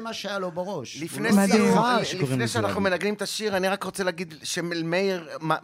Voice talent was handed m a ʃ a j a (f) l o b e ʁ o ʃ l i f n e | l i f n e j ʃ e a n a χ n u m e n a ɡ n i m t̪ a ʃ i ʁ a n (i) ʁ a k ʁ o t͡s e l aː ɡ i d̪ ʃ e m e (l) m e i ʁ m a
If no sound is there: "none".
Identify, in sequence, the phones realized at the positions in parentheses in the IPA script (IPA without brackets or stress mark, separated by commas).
none, i, l